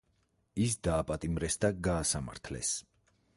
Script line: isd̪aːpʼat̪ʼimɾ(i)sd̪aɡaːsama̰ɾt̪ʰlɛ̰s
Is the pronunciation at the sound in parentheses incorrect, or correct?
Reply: incorrect